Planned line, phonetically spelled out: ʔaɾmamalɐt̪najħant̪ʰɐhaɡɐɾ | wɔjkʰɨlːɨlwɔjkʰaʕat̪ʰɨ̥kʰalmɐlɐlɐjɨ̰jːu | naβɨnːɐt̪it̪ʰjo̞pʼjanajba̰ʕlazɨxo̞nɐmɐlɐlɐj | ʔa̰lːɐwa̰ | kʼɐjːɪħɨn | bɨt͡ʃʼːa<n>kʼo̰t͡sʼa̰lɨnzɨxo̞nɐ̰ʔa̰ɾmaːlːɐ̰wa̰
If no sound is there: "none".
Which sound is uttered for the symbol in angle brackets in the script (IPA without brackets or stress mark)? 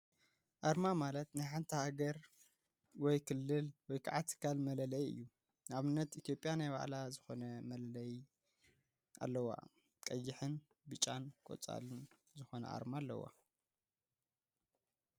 n